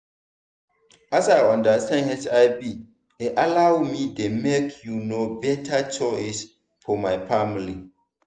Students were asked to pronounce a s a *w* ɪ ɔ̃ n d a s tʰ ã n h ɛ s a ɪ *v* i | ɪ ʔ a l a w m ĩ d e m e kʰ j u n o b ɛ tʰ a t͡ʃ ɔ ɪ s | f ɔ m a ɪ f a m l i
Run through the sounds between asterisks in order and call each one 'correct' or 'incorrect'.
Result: incorrect: none, incorrect: b

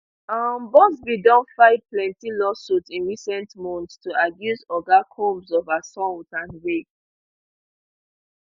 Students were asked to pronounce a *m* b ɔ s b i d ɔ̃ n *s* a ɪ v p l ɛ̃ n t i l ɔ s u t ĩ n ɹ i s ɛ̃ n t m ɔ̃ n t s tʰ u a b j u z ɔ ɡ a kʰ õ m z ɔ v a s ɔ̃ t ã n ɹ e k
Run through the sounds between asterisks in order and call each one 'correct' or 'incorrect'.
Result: correct, incorrect: f

